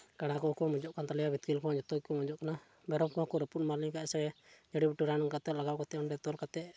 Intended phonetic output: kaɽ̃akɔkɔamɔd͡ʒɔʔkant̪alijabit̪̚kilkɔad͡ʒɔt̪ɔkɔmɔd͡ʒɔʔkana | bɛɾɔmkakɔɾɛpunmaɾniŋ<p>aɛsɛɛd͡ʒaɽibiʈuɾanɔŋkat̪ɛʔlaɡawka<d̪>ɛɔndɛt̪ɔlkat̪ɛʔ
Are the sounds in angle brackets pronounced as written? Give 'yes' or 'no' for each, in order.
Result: no, no

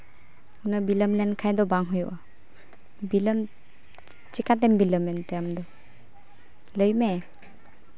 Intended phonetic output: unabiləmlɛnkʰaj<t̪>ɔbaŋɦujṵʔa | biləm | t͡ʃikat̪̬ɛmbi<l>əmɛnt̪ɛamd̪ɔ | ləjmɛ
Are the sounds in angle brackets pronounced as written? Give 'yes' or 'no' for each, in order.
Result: no, yes

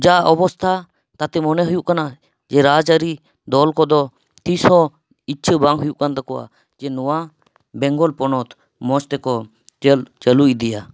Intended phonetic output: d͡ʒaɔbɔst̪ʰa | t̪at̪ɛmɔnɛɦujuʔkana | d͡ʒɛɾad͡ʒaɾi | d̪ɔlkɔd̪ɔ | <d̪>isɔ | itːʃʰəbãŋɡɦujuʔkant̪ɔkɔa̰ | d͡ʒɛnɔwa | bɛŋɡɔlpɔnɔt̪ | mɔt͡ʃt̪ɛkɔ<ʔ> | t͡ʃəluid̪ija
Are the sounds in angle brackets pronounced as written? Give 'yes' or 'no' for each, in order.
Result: no, no

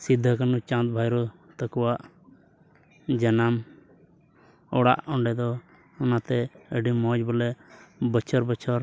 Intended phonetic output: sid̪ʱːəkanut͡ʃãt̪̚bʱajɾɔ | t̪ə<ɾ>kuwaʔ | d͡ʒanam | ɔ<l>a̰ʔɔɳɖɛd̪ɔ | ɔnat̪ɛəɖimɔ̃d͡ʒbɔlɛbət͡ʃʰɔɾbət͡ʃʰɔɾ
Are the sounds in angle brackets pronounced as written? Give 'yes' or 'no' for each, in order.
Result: no, no

